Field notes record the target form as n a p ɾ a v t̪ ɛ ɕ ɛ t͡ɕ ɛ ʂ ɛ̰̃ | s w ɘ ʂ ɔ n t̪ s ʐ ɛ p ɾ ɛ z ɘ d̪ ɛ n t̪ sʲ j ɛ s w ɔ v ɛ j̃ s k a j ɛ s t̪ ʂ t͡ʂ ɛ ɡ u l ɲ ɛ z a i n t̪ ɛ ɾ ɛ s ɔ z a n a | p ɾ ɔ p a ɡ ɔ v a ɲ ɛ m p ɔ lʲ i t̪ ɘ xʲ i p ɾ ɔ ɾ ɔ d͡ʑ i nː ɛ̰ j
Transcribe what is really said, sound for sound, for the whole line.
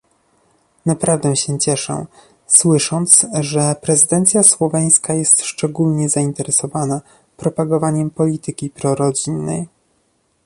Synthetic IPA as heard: n a p ɾ a v d̪ ɛ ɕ ɛ t͡ɕ ɛ ʂ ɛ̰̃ | s w ɘ ʂ ɔ n t̪ s ʐ ɛ p ɾ ɛ z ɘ d̪ ɛ n t̪ sʲ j a s w ɔ v ɛ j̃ s k a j ɛ s t̪ ʂ t͡ʂ ɛ ɡ u l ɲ ɛ z a i n t̪ ɛ ɾ ɛ s ɔ v a n a | p ɾ ɔ p a ɡ ɔ v a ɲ ɛ m p ɔ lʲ i t̪ ɘ kʲ i p ɾ ɔ ɾ ɔ d͡ʑ i nː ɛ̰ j